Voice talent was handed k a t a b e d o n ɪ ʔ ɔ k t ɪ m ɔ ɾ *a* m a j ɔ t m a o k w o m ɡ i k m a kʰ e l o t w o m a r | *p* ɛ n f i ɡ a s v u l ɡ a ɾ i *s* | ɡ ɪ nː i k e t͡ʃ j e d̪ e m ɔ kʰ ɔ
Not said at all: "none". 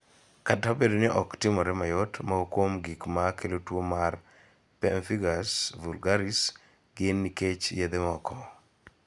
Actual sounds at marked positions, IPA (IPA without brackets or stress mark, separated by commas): ɛ, p, s